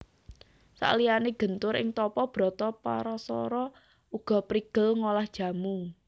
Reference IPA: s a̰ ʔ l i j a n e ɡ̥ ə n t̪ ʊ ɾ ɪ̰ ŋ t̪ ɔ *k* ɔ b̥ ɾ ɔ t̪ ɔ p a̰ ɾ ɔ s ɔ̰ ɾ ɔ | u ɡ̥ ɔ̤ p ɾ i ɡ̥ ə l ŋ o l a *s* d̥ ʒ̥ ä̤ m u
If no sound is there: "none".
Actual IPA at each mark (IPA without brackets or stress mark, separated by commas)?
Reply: p, h